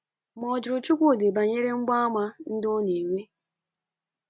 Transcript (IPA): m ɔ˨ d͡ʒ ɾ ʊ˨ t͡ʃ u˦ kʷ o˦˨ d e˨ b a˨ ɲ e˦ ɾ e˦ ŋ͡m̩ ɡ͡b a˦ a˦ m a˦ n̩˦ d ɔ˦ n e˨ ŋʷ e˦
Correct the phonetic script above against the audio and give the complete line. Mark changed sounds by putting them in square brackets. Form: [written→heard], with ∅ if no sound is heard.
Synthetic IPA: m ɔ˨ d͡ʒ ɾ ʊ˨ t͡ʃ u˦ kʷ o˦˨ d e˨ b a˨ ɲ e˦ ɾ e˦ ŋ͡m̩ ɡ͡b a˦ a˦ m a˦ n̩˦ d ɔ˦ n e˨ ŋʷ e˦